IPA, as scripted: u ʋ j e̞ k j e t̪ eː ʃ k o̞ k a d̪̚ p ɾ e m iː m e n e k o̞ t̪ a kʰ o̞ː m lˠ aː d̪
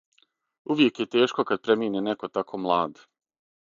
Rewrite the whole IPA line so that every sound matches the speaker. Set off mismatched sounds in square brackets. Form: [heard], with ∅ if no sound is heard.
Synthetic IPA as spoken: u ʋ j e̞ k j e t̪ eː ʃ k o̞ k a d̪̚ p ɾ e m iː [n] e n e k o̞ t̪ a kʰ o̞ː m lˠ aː d̪